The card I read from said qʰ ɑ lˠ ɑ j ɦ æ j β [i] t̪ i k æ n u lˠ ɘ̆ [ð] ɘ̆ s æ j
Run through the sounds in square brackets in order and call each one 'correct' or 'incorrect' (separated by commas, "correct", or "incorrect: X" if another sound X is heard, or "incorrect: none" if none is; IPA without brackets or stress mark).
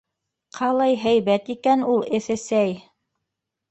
incorrect: æ, incorrect: θ